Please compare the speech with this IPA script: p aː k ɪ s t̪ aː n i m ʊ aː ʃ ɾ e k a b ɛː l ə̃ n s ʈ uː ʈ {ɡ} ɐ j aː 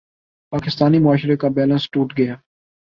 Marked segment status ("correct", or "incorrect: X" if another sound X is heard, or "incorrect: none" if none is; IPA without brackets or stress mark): correct